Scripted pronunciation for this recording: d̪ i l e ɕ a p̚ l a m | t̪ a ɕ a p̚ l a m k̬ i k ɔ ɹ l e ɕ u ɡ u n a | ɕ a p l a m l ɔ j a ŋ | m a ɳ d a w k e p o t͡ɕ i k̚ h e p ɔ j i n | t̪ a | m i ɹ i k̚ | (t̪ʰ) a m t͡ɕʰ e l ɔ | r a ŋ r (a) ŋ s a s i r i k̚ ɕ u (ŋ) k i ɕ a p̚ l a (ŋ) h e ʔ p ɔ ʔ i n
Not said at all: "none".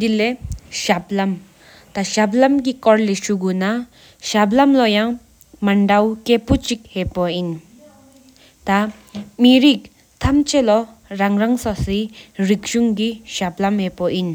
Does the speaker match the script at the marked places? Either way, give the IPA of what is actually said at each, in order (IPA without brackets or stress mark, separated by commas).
t̪ʰ, a, ŋ, m